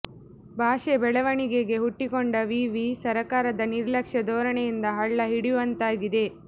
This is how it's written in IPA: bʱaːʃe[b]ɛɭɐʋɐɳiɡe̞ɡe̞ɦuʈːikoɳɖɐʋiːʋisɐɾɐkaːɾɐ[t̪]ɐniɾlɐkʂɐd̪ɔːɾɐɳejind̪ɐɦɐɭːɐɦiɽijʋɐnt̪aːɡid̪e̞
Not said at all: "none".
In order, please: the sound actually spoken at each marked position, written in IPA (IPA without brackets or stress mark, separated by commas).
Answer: b, d̪